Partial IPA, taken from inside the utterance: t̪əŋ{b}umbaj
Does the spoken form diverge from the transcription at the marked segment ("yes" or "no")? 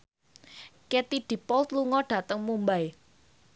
yes